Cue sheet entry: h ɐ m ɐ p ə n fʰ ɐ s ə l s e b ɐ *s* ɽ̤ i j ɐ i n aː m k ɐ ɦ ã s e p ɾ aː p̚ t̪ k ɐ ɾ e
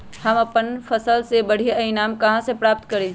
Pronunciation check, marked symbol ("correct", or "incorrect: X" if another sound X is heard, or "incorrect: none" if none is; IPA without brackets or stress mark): incorrect: none